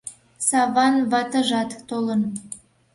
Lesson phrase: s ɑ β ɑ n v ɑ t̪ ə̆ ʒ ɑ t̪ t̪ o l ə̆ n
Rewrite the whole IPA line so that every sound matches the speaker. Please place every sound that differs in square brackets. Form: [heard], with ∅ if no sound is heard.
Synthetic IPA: s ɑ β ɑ n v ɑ t̪ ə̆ ʒ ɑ t̪ t̪ o l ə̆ n